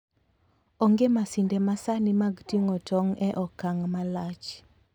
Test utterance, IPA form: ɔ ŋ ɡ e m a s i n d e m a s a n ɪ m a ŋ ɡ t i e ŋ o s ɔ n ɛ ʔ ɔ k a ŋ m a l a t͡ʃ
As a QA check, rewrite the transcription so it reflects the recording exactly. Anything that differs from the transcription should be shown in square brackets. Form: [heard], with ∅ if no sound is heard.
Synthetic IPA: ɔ ŋ ɡ e m a s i n d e m a s a n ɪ m a [∅] ɡ t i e ŋ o [t] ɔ [ŋ] ɛ ʔ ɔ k a ŋ m a l a t͡ʃ